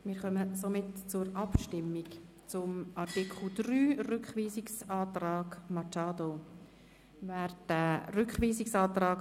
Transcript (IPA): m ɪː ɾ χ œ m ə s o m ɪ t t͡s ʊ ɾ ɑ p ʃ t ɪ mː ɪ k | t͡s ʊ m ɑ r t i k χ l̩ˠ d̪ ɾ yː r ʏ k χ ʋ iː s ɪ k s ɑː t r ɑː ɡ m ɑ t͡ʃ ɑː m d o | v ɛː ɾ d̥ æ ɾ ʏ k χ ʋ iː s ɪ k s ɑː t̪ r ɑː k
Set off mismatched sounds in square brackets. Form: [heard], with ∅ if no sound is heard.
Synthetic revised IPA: m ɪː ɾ χ œ m ə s o m ɪ t t͡s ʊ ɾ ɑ p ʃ t ɪ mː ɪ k | t͡s ʊ m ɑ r t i k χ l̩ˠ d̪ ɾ yː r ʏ k χ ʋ iː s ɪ k s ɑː t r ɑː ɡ m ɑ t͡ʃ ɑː [∅] d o | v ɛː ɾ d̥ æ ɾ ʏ k χ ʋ iː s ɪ k s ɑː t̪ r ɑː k